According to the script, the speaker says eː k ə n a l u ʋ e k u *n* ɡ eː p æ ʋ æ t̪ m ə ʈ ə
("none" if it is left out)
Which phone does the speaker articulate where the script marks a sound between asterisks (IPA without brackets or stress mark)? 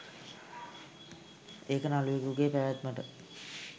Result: none